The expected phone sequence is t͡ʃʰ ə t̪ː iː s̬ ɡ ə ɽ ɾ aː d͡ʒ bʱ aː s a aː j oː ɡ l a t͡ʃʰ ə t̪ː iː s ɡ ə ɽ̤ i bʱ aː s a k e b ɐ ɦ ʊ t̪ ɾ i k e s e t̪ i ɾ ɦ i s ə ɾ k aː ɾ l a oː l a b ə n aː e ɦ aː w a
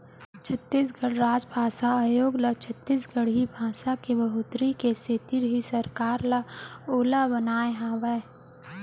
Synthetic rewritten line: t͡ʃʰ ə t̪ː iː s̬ ɡ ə ɽ ɾ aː d͡ʒ bʱ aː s a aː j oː ɡ l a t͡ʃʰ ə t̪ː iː s ɡ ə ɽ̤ i bʱ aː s a k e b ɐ ɦ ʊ t̪ ɾ i k e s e t̪ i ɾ ɦ i s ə ɾ k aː ɾ l a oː l a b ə n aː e ɦ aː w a

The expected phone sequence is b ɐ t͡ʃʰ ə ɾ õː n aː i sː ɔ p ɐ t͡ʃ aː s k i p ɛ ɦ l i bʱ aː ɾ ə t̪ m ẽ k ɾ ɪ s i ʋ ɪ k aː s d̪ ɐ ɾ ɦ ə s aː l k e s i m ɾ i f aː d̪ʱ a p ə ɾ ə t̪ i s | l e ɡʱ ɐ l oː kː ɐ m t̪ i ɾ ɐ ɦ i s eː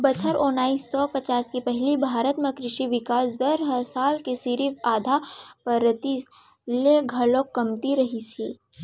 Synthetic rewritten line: b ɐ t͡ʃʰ ə ɾ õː n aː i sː ɔ p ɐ t͡ʃ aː s k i p ɛ ɦ l i bʱ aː ɾ ə t̪ m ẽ k ɾ ɪ ʃ i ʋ ɪ k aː s d̪ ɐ ɾ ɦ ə s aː l k e s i ɾ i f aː d̪ʱ a p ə ɾ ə t̪ i s | l e ɡʱ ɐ l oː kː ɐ m t̪ i ɾ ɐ ɦ i s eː

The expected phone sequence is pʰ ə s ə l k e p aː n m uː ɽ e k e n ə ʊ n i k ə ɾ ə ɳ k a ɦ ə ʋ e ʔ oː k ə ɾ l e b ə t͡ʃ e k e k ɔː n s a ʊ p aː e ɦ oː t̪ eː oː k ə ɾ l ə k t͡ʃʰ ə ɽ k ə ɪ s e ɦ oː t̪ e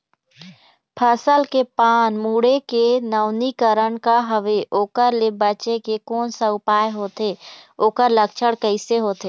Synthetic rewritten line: pʰ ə s ə l k e p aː n m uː ɽ e k e n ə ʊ n i k ə ɾ ə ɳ k a ɦ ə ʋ e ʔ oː k ə ɾ l e b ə t͡ʃ e k e k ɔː n s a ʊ p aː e ɦ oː t̪ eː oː k ə ɾ l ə k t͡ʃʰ ə ɽ k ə ɪ s e ɦ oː t̪ e

